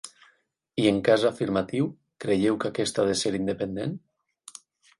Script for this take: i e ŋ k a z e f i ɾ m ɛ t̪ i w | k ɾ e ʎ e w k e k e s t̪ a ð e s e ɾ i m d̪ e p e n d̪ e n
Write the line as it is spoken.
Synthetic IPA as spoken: i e ŋ k a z a f i ɾ m a t̪ i w | k ɾ e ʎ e w k a k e s t̪ a ð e s e ɾ i n d̪ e p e n d̪ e n